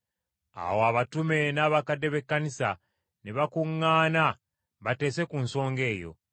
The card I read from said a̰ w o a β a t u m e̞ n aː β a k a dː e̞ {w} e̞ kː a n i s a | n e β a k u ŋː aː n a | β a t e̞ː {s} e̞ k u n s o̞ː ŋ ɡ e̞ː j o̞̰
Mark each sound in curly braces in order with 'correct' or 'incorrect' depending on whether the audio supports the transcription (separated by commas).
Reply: incorrect, correct